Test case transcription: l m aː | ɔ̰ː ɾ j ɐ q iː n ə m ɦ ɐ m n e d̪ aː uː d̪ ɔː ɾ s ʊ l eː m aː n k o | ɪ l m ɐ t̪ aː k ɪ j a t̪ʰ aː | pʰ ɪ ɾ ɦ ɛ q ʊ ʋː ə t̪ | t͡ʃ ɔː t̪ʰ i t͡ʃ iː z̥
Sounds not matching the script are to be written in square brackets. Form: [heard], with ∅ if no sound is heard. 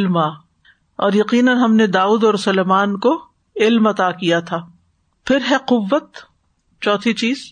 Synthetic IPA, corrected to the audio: l m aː | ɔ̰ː ɾ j ɐ q iː n ə [n] ɦ ɐ m n e d̪ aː uː d̪ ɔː ɾ s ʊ l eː m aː n k o | ɪ l m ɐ t̪ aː k [i] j a t̪ʰ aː | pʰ ɪ ɾ ɦ ɛ q ʊ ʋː ə t̪ | t͡ʃ ɔː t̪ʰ i t͡ʃ iː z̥